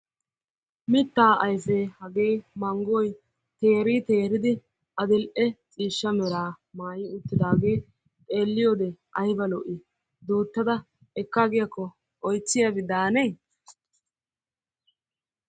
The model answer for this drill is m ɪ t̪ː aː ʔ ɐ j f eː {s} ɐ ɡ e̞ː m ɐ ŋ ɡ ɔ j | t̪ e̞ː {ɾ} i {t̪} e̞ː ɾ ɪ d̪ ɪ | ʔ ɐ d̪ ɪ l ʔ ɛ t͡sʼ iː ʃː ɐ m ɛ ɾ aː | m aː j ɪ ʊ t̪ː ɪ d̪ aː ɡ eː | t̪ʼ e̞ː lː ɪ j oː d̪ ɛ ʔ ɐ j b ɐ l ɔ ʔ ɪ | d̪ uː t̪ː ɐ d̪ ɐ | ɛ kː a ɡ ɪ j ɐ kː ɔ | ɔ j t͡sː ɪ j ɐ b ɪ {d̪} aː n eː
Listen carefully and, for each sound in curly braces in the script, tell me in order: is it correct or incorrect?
incorrect, correct, correct, correct

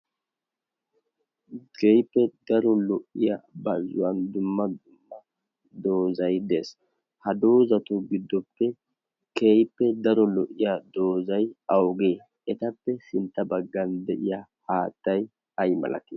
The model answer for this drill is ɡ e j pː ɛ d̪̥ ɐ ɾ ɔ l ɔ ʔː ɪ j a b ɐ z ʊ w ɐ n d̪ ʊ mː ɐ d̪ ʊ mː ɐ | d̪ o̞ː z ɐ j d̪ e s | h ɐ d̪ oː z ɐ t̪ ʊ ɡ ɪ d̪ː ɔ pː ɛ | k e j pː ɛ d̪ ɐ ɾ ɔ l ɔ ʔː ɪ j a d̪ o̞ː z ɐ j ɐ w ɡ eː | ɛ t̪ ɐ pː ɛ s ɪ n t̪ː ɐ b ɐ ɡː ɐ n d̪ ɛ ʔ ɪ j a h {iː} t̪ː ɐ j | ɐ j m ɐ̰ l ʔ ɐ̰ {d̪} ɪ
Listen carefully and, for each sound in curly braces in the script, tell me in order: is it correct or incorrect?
incorrect, incorrect

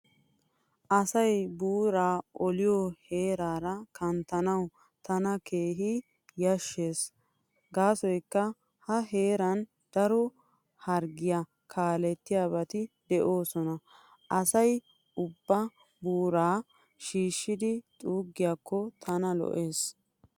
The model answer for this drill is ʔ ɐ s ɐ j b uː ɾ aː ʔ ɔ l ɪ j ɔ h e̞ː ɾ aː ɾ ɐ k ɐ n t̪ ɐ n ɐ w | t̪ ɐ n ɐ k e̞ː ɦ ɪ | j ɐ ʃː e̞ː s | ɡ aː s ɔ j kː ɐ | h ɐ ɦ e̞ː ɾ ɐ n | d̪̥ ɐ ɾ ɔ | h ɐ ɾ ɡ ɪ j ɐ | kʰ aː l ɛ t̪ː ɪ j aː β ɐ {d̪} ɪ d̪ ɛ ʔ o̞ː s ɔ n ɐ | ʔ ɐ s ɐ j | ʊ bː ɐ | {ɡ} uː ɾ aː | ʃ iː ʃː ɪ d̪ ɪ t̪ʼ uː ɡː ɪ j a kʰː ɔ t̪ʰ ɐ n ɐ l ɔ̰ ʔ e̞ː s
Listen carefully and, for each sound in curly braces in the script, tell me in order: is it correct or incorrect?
incorrect, incorrect

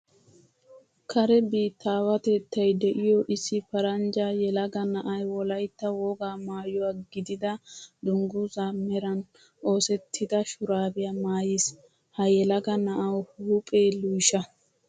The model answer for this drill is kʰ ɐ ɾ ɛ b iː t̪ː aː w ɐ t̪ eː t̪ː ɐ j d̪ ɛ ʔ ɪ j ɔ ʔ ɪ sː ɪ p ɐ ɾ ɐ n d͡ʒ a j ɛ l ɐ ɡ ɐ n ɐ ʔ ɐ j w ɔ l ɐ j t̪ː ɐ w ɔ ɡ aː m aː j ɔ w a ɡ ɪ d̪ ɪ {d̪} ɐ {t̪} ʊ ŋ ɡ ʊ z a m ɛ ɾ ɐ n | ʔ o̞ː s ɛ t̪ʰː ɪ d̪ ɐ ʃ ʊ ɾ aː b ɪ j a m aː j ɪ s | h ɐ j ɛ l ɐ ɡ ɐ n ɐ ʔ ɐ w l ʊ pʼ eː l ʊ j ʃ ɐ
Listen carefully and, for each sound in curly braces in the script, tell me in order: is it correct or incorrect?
correct, incorrect

